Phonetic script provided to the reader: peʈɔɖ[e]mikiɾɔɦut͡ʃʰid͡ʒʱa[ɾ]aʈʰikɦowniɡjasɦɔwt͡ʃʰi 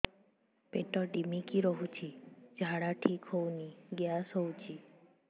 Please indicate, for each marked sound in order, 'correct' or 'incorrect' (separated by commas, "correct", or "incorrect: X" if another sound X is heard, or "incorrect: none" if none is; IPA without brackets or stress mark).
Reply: incorrect: i, incorrect: ɽ